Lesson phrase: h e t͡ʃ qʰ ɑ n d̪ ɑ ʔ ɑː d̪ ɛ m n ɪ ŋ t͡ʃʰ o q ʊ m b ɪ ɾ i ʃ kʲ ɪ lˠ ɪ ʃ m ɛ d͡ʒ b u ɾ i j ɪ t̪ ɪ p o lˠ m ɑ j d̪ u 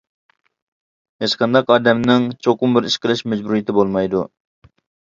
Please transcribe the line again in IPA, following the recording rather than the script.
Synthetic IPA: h e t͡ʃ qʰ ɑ n d̪ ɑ q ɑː d̪ ɛ m n ɪ ŋ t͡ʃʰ o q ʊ m b ɪ ɾ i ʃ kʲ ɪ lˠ ɪ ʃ m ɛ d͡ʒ b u ɾ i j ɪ t̪ ɪ b o lˠ m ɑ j d̪ u